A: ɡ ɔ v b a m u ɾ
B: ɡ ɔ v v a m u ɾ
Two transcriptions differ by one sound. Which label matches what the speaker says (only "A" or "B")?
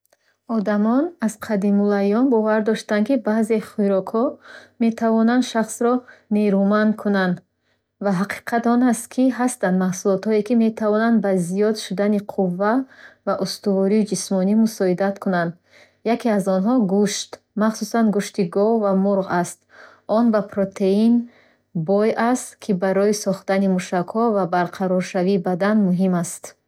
B